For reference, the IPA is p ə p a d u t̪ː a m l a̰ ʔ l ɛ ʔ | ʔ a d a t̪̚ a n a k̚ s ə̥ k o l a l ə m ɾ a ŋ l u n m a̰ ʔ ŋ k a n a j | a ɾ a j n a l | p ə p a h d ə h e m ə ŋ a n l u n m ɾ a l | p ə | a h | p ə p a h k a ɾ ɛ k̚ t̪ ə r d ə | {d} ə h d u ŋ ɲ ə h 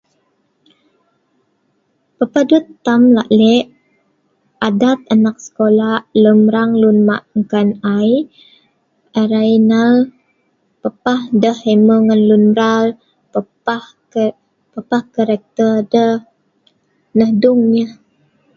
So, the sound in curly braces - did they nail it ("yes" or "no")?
no